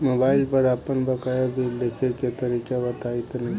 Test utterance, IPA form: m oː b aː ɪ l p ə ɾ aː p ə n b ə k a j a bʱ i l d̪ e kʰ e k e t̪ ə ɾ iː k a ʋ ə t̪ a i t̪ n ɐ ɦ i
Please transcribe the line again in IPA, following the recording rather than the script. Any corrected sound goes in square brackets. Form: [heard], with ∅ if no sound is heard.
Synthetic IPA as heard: m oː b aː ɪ l p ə ɾ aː p ə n b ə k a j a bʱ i l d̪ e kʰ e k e t̪ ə ɾ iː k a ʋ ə t̪ a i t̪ n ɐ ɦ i